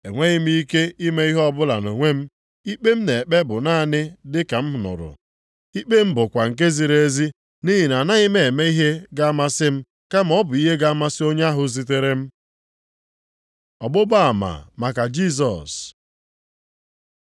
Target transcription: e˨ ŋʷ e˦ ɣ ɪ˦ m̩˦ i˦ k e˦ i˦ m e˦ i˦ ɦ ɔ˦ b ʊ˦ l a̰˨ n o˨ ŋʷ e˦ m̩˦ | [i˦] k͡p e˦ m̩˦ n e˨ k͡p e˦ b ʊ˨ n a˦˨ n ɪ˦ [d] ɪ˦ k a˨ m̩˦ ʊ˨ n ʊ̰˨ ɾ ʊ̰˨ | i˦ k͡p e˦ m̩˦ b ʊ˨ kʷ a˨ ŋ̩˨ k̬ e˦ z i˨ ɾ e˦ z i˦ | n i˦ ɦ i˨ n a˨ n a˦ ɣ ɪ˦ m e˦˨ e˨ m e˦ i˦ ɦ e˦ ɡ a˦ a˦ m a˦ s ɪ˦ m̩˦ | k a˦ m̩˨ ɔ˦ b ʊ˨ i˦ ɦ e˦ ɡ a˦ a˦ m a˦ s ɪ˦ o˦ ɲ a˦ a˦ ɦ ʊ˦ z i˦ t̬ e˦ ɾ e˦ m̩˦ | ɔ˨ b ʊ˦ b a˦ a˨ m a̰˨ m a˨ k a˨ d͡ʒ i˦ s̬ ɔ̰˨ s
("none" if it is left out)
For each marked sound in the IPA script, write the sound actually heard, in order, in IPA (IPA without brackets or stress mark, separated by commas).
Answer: i˦, d